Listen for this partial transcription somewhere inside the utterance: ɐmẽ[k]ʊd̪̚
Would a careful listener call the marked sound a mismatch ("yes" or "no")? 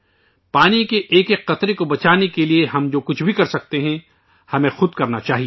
yes